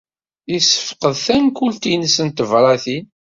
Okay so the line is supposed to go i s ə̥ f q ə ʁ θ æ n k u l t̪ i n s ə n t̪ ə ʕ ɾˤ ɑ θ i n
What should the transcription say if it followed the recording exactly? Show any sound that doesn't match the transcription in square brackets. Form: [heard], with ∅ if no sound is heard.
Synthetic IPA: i s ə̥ f q ə [ð] θ æ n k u l t̪ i n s ə n t̪ ə [v] ɾˤ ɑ θ i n